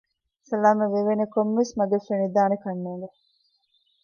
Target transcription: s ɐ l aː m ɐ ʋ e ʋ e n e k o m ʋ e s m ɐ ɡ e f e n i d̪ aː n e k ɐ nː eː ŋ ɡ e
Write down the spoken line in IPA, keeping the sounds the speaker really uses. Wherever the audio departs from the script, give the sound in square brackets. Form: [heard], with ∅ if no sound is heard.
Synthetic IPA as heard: s ɐ l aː m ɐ ʋ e ʋ e n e k o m ʋ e s m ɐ ɡ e f e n i d̪ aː n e k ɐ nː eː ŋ ɡ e